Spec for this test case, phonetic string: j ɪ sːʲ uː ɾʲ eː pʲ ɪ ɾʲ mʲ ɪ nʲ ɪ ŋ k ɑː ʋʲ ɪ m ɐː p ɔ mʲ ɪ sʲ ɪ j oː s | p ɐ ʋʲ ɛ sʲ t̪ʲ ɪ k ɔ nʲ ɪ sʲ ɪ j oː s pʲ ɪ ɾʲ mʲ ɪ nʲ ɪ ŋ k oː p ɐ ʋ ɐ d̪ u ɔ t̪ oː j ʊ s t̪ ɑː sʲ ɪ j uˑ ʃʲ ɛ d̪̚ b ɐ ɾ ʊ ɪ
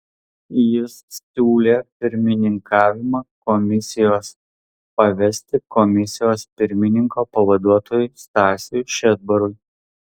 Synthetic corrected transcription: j ɪ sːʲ uː lʲ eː pʲ ɪ ɾʲ mʲ ɪ nʲ ɪ ŋ k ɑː ʋʲ ɪ m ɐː k ɔ mʲ ɪ sʲ ɪ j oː s | p ɐ ʋʲ ɛ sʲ t̪ʲ ɪ k ɔ mʲ ɪ sʲ ɪ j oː s pʲ ɪ ɾʲ mʲ ɪ nʲ ɪ ŋ k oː p ɐ ʋ ɐ d̪ u ɔ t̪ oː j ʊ s t̪ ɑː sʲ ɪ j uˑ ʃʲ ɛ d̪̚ b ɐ ɾ ʊ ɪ